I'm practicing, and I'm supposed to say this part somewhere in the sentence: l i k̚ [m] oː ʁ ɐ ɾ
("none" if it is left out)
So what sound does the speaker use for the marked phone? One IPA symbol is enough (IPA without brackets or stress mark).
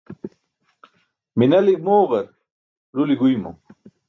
m